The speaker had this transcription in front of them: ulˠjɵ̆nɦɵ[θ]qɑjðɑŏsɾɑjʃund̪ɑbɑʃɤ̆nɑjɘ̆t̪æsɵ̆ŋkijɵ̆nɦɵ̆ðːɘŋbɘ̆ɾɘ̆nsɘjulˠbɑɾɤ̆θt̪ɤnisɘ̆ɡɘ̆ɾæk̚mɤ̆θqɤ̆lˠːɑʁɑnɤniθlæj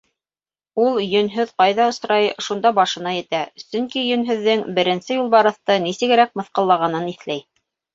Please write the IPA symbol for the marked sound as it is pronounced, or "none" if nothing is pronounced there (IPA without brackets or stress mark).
ð